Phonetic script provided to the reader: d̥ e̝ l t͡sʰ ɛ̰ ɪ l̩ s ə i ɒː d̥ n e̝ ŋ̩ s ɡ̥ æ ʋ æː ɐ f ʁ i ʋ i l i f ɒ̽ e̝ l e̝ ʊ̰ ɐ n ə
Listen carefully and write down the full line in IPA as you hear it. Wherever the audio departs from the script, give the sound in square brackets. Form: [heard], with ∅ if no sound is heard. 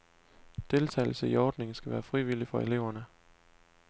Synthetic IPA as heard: d̥ e̝ l t͡sʰ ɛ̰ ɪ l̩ s ə i ɒː d̥ n e̝ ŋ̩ s ɡ̥ æ ʋ æː ɐ f ʁ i ʋ i l i f ɒ̽ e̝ l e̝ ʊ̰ ɐ n ə

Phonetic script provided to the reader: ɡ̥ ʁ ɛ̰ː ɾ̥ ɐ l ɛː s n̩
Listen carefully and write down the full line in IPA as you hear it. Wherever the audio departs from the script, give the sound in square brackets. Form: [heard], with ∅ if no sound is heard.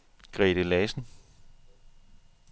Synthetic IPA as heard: ɡ̥ ʁ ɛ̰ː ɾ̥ [ə] l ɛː s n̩

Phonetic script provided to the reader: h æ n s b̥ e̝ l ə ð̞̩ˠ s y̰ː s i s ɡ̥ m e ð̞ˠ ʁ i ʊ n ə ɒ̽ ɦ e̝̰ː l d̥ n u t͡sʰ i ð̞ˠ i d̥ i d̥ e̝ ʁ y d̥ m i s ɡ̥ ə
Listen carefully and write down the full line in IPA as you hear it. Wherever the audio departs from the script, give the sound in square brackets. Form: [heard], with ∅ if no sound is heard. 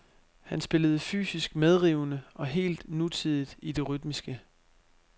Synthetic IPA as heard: h æ n s b̥ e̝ l ə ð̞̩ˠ [f] y̰ː s i s ɡ̥ m e ð̞ˠ ʁ i ʊ n ə ɒ̽ ɦ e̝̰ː l d̥ n u t͡sʰ i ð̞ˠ i d̥ i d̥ e̝ ʁ y d̥ m i s ɡ̥ ə

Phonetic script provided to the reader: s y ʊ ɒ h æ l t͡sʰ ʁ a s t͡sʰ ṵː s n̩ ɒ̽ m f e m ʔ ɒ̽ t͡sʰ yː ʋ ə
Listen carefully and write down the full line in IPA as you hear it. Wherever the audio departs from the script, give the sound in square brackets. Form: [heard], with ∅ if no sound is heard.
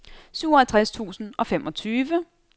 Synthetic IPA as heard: s y ʊ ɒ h æ l t͡sʰ ʁ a s t͡sʰ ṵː s n̩ ɒ̽ [∅] f e m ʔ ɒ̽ t͡sʰ yː ʋ ə

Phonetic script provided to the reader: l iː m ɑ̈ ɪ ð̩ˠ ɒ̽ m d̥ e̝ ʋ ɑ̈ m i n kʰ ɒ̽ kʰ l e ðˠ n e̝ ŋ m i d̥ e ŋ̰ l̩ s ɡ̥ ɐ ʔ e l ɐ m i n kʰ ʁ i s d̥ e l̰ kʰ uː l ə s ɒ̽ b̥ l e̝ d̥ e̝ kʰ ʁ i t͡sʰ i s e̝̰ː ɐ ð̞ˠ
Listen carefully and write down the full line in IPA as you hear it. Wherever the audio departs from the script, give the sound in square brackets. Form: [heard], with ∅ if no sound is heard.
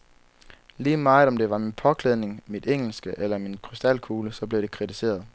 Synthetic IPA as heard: l iː m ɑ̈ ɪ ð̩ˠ ɒ̽ m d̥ e̝ ʋ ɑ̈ m i n [pʰ] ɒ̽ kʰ l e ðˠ n e̝ ŋ m i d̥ e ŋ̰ l̩ s ɡ̥ [ə] ʔ e l ɐ m i n kʰ ʁ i s d̥ [æ] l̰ kʰ uː l ə s ɒ̽ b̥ l e̝ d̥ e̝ kʰ ʁ i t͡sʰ i s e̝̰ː ɐ ð̞ˠ

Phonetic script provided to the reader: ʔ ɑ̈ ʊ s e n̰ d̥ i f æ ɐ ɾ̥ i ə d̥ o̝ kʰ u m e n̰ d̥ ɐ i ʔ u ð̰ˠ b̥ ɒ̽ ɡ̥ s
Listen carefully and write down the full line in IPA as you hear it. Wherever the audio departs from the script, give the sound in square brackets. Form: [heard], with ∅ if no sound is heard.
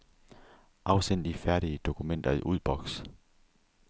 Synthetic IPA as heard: ʔ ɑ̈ ʊ s e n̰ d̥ i f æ ɐ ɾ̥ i ə d̥ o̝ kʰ u m e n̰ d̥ ɐ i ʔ u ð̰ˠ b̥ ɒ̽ ɡ̥ s

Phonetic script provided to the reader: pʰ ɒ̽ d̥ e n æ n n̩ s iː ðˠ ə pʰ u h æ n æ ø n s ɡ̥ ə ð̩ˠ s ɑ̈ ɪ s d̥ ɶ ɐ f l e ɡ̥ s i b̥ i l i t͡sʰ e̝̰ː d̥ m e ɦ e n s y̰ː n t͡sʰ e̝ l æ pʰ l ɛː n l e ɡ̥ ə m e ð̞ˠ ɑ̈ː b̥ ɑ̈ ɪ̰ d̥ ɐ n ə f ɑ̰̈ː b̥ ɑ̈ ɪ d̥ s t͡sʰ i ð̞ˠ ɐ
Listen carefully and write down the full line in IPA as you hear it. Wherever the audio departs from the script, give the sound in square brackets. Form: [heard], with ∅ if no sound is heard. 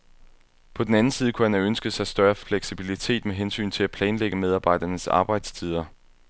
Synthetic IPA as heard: pʰ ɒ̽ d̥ e n æ n n̩ s iː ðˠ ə [kʰ] u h æ n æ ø n s ɡ̥ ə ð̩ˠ s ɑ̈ ɪ s d̥ ɶ ɐ f l e ɡ̥ s i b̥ i l i t͡sʰ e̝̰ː d̥ m e ɦ e n s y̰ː n t͡sʰ e̝ l æ pʰ l ɛː n l e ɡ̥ ə m e ð̞ˠ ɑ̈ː b̥ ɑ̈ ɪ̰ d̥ ɐ n ə [s] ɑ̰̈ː b̥ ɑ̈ ɪ d̥ s t͡sʰ i ð̞ˠ ɐ

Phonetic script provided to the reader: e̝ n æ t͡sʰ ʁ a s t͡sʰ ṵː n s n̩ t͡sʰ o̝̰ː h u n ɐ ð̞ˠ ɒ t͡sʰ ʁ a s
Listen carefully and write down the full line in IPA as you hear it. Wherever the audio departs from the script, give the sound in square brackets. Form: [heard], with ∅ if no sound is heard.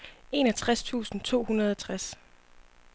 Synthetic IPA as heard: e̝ n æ t͡sʰ ʁ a s t͡sʰ ṵː [∅] s n̩ t͡sʰ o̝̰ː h u n ɐ ð̞ˠ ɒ t͡sʰ ʁ a s

